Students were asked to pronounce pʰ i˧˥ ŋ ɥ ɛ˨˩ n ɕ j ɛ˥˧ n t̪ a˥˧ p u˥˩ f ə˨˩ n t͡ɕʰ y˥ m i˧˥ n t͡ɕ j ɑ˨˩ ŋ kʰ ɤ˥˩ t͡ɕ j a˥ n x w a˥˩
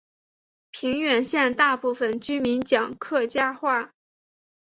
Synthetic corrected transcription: pʰ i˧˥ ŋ ɥ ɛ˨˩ n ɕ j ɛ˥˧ n t̪ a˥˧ p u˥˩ f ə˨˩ n t͡ɕ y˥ m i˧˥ n t͡ɕ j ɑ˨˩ ŋ kʰ ɤ˥˩ t͡ɕ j a˥ x w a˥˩

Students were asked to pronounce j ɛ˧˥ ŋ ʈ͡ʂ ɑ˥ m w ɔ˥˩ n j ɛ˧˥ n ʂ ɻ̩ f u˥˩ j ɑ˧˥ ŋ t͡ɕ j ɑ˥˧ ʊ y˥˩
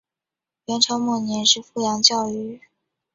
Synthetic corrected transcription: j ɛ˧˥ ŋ ʈ͡ʂʰ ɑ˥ m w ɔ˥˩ n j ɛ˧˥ n ʂ ɻ̩ f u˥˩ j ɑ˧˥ ŋ t͡ɕ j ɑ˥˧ ʊ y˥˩

